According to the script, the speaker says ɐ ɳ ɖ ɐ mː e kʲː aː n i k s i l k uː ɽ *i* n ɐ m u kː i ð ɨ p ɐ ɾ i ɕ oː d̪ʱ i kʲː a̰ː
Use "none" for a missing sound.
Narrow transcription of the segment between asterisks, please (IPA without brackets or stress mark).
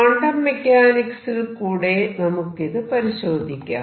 e